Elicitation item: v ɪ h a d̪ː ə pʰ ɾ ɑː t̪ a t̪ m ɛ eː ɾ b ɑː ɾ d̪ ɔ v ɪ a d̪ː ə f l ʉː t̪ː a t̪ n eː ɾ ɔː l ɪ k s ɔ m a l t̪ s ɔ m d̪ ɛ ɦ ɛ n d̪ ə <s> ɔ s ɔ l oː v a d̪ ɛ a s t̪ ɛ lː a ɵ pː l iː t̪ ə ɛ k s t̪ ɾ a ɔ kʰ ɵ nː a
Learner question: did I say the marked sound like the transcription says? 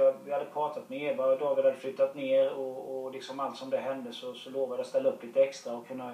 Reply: yes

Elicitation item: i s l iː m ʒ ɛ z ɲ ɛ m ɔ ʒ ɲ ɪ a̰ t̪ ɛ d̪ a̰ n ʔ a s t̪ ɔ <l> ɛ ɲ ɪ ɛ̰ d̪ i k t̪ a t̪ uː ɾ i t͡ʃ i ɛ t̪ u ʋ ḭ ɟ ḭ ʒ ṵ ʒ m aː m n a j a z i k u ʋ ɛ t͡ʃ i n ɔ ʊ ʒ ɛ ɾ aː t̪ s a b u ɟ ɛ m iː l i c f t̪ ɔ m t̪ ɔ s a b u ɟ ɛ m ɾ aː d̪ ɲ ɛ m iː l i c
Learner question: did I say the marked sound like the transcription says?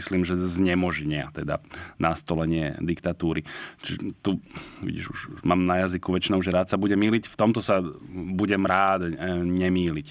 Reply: yes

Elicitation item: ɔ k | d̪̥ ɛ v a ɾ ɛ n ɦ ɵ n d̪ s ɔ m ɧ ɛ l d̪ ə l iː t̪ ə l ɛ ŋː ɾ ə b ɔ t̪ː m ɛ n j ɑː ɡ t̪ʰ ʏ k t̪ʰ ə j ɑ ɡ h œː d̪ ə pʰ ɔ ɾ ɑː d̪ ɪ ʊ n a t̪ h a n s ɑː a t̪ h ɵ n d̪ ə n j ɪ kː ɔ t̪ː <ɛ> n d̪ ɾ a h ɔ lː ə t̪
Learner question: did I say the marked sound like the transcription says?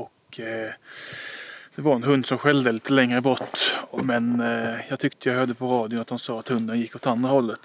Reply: no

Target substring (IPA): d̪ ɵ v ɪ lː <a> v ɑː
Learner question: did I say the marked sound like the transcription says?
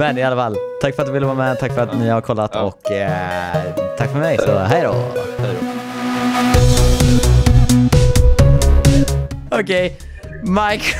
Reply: no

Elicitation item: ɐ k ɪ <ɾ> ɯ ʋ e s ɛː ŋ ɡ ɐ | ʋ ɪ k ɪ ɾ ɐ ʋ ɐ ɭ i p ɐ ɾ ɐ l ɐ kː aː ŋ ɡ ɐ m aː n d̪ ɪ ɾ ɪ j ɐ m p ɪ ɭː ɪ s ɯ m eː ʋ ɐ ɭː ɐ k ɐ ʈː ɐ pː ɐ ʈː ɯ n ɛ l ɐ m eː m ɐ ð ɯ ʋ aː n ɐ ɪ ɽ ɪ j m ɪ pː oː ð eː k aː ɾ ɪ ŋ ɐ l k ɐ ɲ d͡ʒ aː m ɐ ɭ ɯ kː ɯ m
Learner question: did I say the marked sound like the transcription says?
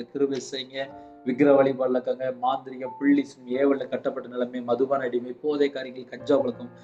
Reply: yes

